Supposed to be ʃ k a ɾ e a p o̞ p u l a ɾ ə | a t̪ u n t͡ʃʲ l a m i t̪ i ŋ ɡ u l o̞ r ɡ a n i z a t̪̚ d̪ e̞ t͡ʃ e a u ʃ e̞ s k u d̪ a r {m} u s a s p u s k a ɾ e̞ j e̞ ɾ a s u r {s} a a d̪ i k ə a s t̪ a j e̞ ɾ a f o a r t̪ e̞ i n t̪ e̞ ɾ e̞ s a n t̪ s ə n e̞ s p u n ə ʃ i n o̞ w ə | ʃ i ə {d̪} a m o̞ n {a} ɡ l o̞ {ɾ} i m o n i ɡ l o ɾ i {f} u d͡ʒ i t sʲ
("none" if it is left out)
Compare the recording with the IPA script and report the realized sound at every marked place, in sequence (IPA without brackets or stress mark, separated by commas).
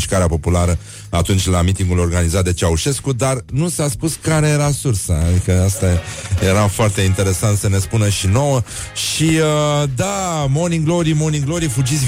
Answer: n, s, d̪, i, ɾ, f